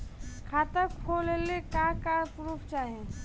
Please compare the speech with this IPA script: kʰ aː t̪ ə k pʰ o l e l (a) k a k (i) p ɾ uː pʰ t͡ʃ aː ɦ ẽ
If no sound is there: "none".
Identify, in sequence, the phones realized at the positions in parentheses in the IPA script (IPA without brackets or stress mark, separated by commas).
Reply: e, a